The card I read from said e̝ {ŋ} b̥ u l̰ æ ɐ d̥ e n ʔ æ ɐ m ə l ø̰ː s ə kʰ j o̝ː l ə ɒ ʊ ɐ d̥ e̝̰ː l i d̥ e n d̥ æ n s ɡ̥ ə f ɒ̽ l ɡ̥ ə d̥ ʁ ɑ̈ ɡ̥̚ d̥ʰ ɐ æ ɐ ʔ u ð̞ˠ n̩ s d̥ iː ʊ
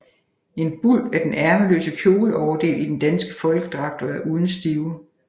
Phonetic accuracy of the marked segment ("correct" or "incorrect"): incorrect